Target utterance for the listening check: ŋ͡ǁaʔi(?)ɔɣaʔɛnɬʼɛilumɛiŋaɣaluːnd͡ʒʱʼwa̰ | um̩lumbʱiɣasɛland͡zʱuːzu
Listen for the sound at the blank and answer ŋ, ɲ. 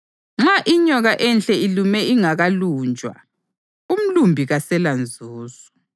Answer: ɲ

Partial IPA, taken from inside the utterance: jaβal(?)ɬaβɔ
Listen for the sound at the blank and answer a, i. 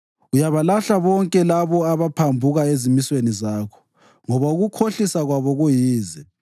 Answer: a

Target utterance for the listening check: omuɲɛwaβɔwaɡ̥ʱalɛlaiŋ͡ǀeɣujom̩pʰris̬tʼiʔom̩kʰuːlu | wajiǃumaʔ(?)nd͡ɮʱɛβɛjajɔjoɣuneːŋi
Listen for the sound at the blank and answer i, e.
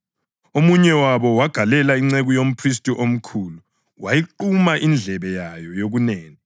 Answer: i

